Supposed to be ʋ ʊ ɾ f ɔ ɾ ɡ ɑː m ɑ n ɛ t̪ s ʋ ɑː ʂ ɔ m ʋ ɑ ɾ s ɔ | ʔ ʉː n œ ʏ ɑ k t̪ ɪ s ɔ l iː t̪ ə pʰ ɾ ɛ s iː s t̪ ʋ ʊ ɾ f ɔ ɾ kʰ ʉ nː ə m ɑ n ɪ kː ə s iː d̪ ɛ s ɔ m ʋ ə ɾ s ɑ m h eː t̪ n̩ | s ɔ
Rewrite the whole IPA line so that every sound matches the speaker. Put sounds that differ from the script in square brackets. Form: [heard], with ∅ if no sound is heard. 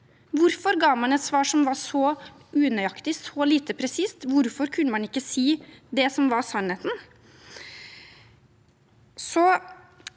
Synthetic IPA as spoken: ʋ ʊ ɾ f ɔ ɾ ɡ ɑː m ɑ n ɛ t̪ s ʋ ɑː ʂ ɔ m ʋ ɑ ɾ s ɔ | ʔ ʉː n œ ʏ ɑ k t̪ ɪ s ɔ l iː t̪ ə pʰ ɾ ɛ s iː s t̪ ʋ ʊ ɾ f ɔ ɾ kʰ ʉ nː ə m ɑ n ɪ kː ə s iː d̪ ɛ s ɔ m ʋ [ɑ] ɾ s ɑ [n] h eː t̪ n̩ | s ɔ

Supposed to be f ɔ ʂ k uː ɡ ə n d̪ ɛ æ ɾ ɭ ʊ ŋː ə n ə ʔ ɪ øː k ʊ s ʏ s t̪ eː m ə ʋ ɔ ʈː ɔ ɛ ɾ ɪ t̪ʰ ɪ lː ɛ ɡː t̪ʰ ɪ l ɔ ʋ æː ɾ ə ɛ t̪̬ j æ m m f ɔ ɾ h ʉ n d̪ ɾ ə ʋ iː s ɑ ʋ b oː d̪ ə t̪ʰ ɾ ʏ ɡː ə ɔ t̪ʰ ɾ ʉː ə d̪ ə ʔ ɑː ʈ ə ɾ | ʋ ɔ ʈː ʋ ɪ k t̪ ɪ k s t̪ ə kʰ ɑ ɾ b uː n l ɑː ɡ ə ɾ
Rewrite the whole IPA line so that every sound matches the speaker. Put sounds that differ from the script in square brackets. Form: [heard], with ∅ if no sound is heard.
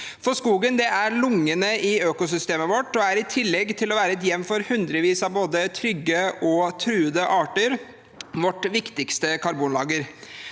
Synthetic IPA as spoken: f ɔ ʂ k uː ɡ ə n d̪ ɛ æ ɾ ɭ ʊ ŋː ə n ə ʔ ɪ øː k ʊ s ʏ s t̪ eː m ə ʋ ɔ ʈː ɔ [æ] ɾ ɪ t̪ʰ ɪ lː ɛ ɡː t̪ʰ ɪ l ɔ ʋ æː ɾ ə ɛ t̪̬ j [ɛ] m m f ɔ ɾ h ʉ n d̪ ɾ ə ʋ iː s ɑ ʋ b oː d̪ ə t̪ʰ ɾ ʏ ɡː ə ɔ t̪ʰ ɾ ʉː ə d̪ ə ʔ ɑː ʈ ə ɾ | ʋ ɔ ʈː ʋ ɪ k t̪ ɪ k s t̪ ə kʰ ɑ ɾ b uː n l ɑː ɡ ə ɾ

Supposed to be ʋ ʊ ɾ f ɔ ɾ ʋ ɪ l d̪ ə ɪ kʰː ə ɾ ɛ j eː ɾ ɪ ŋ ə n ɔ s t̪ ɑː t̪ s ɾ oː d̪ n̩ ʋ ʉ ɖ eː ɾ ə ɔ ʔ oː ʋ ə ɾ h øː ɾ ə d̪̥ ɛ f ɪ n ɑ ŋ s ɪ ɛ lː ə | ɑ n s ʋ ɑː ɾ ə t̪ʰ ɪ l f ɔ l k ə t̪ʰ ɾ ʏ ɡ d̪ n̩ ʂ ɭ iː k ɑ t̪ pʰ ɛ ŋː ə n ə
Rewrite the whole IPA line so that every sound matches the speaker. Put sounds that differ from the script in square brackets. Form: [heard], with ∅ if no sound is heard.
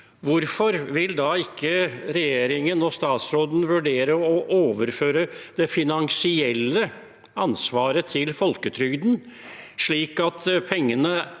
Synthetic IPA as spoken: ʋ ʊ ɾ f ɔ ɾ ʋ ɪ l d̪ [ɑ] ɪ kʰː ə ɾ ɛ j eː ɾ ɪ ŋ ə n ɔ s t̪ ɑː t̪ s ɾ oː d̪ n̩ ʋ ʉ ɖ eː ɾ ə ɔ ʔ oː ʋ ə ɾ [f] øː ɾ ə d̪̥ ɛ f ɪ n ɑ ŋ s ɪ ɛ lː ə | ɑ n s ʋ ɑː ɾ ə t̪ʰ ɪ l f ɔ l k ə t̪ʰ ɾ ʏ ɡ d̪ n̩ ʂ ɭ iː k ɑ t̪ pʰ ɛ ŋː ə n ə

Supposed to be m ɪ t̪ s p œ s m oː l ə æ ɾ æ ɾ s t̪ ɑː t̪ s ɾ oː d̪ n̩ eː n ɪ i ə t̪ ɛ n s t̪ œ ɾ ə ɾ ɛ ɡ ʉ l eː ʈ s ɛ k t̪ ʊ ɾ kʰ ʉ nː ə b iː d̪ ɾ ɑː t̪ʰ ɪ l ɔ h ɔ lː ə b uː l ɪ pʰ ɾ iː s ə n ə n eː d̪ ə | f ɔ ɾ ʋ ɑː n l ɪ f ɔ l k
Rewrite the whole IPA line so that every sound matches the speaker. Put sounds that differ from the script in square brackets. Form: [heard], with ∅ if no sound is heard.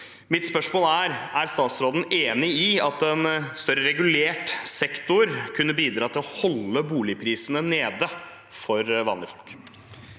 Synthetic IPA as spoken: m ɪ t̪ s p œ [ʂ] m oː l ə æ ɾ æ ɾ s t̪ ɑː t̪ s ɾ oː d̪ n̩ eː n ɪ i [ɑ] t̪ ɛ n s t̪ œ ɾ ə ɾ ɛ ɡ ʉ l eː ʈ s ɛ k t̪ ʊ ɾ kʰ ʉ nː ə b iː d̪ ɾ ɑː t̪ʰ ɪ l ɔ h ɔ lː ə b uː l ɪ pʰ ɾ iː s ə n ə n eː d̪ ə | f ɔ ɾ ʋ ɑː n l ɪ f ɔ l k

